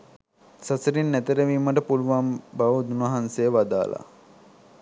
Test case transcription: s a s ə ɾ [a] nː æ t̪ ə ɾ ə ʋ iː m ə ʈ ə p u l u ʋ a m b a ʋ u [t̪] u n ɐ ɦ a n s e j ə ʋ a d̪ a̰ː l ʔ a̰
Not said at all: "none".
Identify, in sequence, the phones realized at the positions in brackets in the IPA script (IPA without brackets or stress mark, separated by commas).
i, d̪